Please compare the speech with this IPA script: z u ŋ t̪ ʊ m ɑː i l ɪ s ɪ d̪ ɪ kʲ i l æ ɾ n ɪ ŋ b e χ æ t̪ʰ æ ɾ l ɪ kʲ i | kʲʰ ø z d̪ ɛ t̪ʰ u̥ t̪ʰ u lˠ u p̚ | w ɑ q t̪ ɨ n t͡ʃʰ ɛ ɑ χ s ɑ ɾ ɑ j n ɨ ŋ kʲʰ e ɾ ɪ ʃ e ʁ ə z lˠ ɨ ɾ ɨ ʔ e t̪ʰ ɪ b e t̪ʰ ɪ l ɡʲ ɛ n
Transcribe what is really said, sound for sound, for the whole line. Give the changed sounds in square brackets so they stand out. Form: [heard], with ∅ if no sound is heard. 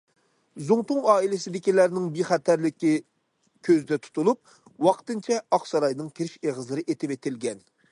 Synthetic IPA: z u ŋ t̪ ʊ [ŋ] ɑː i l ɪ s ɪ d̪ ɪ kʲ i l æ ɾ n ɪ ŋ b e χ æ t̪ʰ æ ɾ l ɪ kʲ i | kʲʰ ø z d̪ ɛ t̪ʰ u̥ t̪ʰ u lˠ u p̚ | w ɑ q t̪ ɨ n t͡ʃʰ ɛ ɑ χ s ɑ ɾ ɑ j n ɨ ŋ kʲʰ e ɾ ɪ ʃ e ʁ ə z lˠ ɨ ɾ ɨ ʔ e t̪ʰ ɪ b e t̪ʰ ɪ l ɡʲ ɛ n